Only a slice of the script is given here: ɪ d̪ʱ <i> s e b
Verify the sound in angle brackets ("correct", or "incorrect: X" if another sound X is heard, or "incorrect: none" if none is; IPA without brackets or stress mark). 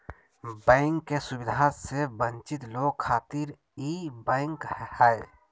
incorrect: a